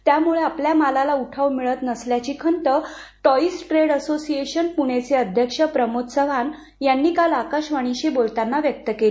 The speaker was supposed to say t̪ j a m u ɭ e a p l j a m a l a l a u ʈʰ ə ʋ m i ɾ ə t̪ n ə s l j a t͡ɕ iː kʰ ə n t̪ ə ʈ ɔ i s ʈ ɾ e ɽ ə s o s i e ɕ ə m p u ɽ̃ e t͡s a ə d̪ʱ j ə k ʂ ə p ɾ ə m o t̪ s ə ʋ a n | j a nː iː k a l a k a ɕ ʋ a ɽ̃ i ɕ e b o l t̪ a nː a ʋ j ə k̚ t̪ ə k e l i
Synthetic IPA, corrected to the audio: t̪ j a m u ɭ e a p l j a m a l a l a u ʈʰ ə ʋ m i ɭ ə t̪ n ə s l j a t͡ɕ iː kʰ ə n t̪ ə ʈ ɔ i s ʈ ɾ e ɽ ə s o s i e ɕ ə n p u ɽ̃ e t͡s e ə d̪ʱ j ə k ʂ ə p ɾ ə m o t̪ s ə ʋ a n | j a nː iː k a l a k a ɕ ʋ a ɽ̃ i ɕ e b o l t̪ a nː a ʋ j ə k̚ t̪ ə k e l i